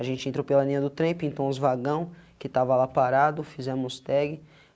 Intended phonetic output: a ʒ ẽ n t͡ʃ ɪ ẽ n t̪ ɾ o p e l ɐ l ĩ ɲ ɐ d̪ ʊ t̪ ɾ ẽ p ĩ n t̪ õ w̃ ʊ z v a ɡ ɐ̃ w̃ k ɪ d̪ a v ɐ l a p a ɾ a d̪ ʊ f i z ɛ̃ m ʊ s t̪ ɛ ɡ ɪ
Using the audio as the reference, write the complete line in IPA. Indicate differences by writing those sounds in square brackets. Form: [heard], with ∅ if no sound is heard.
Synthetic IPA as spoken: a ʒ ẽ n t͡ʃ ɪ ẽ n t̪ ɾ o p e l ɐ l ĩ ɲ ɐ d̪ ʊ t̪ ɾ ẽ p ĩ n t̪ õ w̃ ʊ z v a ɡ ɐ̃ w̃ k ɪ [t̪] a v ɐ l a p a ɾ a d̪ ʊ f i z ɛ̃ m ʊ s t̪ ɛ ɡ ɪ

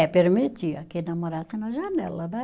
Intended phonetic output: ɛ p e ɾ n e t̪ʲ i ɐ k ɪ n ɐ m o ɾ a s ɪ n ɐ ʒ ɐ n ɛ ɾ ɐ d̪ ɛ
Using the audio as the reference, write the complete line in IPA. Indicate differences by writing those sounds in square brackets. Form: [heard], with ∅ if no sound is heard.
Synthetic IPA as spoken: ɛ p e ɾ [m] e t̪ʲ i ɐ k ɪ n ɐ m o ɾ a s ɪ n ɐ ʒ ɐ n ɛ [l] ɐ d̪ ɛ

